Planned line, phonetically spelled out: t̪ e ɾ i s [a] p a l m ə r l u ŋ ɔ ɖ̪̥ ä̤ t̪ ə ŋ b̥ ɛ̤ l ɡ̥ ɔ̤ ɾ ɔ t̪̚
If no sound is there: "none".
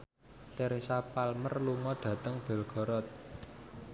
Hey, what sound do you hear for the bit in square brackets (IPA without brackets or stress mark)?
a